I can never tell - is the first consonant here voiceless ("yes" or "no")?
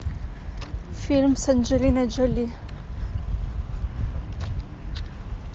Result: yes